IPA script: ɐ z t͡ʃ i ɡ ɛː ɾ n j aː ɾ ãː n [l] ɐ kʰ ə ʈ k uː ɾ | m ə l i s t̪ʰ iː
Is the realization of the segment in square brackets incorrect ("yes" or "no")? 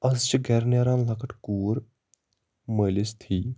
no